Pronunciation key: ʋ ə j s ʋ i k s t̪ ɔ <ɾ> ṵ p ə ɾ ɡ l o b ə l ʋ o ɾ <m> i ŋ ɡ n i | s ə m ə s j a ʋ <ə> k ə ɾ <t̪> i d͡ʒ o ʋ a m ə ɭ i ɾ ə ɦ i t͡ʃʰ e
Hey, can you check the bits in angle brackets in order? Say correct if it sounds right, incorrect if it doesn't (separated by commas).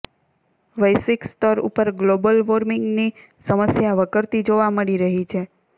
correct, correct, correct, correct